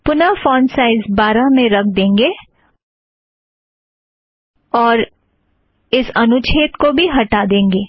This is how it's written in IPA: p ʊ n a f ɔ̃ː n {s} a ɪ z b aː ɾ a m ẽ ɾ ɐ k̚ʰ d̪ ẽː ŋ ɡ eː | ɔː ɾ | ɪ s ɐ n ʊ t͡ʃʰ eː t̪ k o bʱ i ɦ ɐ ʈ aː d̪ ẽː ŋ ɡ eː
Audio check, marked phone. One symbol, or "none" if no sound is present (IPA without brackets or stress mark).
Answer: s